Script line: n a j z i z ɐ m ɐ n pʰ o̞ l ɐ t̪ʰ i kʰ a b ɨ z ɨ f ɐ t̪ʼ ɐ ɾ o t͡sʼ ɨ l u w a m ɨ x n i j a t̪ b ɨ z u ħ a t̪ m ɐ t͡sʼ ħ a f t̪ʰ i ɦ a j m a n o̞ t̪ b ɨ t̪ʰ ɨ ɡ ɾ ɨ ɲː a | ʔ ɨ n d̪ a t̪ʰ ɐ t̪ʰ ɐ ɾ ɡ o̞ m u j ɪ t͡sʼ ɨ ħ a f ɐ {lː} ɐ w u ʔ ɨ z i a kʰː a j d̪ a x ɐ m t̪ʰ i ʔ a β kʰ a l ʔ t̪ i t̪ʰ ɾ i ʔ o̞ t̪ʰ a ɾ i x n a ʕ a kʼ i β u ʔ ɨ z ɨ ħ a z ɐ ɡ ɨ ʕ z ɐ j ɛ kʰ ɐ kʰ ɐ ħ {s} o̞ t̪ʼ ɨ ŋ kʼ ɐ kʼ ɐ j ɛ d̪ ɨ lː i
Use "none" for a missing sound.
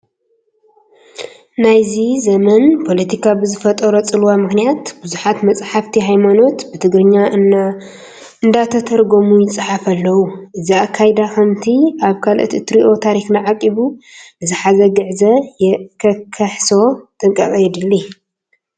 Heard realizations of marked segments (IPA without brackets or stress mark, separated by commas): lː, s